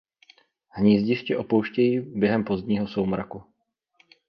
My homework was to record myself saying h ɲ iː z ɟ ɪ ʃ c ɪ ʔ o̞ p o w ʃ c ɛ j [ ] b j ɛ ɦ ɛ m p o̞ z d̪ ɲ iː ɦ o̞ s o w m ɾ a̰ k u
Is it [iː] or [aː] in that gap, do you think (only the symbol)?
iː